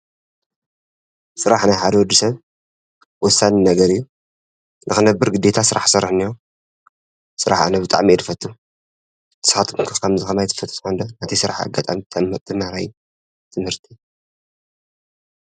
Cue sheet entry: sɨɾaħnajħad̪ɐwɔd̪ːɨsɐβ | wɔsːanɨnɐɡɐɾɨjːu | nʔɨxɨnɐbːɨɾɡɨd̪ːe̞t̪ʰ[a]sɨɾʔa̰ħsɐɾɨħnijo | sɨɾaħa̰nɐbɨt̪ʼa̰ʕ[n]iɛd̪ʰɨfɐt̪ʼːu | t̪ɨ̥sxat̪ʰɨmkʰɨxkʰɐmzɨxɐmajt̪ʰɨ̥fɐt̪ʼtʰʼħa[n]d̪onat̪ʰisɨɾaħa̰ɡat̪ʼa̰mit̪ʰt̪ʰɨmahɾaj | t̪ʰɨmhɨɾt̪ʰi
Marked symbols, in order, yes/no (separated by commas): yes, no, yes